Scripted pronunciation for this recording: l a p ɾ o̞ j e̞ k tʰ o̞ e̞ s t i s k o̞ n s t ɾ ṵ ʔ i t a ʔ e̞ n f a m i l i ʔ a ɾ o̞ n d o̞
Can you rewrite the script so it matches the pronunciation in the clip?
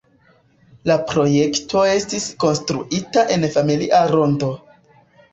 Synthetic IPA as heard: l a p ɾ o̞ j e̞ k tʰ o̞ e̞ s t i s k o̞ n s t ɾ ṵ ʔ i t a ʔ e̞ n f a m i l i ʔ a ɾ o̞ n d o̞